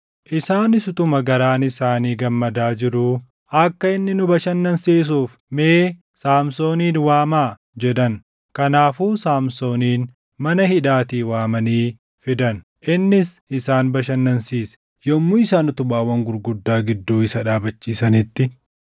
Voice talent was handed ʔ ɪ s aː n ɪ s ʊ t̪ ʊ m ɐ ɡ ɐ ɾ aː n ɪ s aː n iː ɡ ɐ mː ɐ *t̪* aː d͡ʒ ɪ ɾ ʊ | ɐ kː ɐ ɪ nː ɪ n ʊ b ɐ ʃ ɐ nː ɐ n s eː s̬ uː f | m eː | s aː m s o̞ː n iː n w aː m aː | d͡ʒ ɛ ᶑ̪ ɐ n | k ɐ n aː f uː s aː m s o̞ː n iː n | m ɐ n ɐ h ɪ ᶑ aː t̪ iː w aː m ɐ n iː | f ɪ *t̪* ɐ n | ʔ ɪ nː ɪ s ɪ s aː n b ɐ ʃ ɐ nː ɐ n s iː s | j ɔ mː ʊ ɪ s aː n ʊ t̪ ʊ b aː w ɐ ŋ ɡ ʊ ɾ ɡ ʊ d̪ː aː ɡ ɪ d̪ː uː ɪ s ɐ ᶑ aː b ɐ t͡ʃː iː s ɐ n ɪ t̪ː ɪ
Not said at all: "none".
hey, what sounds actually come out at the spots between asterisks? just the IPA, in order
d̪, d̪

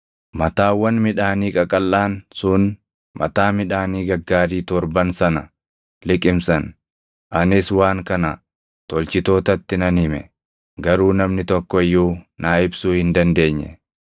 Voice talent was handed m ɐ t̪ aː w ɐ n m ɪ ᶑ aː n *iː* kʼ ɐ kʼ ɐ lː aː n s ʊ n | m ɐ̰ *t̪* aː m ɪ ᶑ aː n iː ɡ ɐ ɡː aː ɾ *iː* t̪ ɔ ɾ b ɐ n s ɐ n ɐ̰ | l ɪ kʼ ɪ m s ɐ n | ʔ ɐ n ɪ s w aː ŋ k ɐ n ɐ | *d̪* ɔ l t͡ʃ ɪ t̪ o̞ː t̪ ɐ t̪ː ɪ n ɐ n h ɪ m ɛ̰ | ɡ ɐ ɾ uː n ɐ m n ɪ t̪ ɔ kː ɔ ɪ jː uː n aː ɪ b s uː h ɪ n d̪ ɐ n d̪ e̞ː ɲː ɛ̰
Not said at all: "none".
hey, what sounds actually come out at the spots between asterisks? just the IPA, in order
iː, t̪, iː, t̪

